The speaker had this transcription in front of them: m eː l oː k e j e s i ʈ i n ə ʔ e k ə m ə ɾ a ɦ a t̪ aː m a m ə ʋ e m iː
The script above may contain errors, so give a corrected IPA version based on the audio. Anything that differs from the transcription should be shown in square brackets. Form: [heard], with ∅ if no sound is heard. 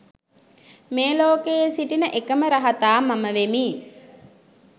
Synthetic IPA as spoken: m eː l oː k e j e s i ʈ i n ə ʔ e k ə m ə ɾ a ɦ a t̪ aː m a m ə ʋ e m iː